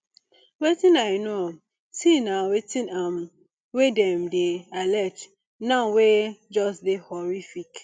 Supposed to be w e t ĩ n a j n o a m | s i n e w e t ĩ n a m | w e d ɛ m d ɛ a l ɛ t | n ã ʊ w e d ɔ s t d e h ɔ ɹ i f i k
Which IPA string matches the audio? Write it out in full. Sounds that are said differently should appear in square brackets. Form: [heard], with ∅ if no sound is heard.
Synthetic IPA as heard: w e t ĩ n a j n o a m | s i n [a] w e t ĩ n a m | w e d ɛ m d [e] a l ɛ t | n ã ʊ w e [d͡ʒ] ɔ s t d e h ɔ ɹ i f i k